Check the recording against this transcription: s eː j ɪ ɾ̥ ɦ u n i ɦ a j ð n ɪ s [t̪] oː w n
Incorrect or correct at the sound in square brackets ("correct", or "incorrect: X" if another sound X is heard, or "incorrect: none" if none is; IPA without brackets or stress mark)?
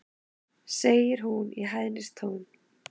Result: incorrect: t̪ʰ